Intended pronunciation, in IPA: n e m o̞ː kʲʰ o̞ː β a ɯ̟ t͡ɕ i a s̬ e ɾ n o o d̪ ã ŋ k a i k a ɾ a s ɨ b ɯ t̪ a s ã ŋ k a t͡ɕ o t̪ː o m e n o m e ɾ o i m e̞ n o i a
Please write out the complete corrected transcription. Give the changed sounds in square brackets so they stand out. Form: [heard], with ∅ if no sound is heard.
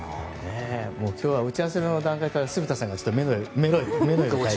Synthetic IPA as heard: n e m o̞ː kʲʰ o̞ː β a ɯ̟ t͡ɕ i a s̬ e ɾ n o o d̪ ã ŋ k a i k a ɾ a s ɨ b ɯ t̪ a s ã ŋ [ɡ] a t͡ɕ o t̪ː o m e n o m e ɾ o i m e̞ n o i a